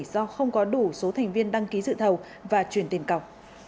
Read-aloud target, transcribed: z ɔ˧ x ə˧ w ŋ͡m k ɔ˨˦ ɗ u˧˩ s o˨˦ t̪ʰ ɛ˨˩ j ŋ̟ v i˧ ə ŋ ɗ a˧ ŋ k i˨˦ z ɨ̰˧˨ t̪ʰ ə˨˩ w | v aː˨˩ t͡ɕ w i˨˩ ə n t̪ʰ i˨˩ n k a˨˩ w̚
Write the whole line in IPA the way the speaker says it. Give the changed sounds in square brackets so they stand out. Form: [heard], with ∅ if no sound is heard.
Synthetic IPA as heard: z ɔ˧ x ə˧ w ŋ͡m k ɔ˨˦ ɗ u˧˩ s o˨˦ t̪ʰ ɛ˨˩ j ŋ̟ v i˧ ə [n] ɗ a˧ ŋ k i˨˦ z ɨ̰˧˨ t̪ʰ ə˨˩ w | v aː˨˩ t͡ɕ w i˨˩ ə n [t̪] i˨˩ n k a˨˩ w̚